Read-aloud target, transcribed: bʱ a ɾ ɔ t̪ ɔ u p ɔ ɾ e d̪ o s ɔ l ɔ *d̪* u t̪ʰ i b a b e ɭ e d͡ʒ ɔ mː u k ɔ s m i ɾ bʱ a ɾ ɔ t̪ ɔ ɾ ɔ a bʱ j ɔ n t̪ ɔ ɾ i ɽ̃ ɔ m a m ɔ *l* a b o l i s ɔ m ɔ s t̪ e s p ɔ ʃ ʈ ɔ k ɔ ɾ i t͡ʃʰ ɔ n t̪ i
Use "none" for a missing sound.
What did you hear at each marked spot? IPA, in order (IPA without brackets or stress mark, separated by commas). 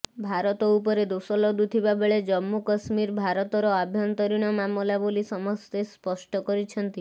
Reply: d̪, l